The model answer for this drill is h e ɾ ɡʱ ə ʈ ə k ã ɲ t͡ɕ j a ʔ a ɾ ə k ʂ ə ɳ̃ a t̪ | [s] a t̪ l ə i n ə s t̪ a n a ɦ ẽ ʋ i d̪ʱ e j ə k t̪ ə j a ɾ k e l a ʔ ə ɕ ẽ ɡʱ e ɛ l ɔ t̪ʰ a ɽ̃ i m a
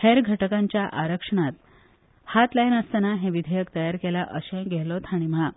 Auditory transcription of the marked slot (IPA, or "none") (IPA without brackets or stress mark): h